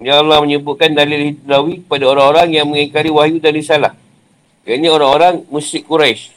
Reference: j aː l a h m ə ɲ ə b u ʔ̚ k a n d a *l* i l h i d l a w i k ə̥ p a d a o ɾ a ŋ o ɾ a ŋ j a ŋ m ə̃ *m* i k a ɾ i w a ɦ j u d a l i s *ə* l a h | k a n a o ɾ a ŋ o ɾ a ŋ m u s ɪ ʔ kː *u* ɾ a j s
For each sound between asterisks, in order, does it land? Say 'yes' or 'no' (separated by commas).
yes, no, no, yes